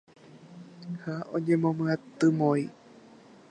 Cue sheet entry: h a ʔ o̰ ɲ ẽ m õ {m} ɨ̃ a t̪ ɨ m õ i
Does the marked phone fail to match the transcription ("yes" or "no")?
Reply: no